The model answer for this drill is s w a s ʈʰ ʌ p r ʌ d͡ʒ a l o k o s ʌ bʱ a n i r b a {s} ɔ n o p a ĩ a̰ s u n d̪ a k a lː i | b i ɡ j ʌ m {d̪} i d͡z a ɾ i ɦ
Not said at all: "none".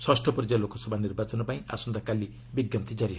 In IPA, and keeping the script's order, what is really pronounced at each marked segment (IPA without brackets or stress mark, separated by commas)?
t͡s, t̪